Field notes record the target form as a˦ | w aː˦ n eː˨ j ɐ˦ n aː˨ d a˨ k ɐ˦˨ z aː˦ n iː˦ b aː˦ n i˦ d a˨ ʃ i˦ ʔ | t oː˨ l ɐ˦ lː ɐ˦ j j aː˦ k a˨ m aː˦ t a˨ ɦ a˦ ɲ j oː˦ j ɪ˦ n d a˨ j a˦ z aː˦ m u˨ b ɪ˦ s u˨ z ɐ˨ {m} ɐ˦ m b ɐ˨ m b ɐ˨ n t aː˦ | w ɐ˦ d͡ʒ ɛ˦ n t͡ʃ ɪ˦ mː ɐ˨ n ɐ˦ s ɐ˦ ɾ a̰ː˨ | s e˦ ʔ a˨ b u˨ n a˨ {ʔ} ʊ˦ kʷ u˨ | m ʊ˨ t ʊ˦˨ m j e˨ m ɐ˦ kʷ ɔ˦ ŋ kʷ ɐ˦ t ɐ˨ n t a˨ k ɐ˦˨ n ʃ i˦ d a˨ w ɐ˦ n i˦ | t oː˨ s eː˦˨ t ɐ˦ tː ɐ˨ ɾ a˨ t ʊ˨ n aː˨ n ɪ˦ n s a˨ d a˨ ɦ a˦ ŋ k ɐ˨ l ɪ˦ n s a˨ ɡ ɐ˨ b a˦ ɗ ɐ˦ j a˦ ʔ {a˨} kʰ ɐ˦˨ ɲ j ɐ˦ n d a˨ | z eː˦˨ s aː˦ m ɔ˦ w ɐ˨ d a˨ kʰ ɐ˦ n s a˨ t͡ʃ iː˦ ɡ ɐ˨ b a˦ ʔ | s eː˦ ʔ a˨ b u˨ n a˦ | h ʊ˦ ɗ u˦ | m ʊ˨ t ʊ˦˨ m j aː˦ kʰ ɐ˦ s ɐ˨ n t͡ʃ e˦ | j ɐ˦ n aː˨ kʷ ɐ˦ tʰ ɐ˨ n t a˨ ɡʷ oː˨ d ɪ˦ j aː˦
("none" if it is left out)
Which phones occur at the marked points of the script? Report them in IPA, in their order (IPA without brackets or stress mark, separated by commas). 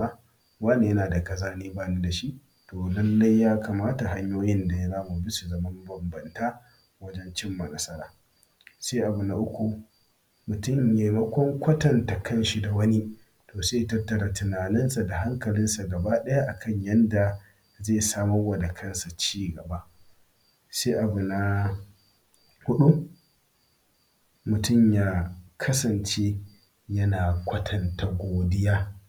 m, ʔ, a˨